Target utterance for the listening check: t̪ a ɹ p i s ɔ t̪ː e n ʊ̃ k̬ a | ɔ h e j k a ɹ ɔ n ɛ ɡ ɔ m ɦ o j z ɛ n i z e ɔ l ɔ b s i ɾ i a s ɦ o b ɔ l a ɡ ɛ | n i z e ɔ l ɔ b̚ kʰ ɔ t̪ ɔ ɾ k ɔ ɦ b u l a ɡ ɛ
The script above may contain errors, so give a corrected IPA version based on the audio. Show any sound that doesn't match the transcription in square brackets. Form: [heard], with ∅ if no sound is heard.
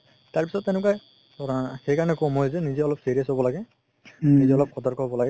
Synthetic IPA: t̪ a ɹ p i s ɔ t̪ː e n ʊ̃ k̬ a | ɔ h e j k a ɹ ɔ n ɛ [k] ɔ m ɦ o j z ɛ n i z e ɔ l ɔ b s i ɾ i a s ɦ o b ɔ l a ɡ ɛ | n i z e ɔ l ɔ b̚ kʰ ɔ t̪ ɔ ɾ k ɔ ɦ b [ɔ] l a ɡ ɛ